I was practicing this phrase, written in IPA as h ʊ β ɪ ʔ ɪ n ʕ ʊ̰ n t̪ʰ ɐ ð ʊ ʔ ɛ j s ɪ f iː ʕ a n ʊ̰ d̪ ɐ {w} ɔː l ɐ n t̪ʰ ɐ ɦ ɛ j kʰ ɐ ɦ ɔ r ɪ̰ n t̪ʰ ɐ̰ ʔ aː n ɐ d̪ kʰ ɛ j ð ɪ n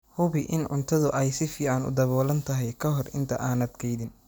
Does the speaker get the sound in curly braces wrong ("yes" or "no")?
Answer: yes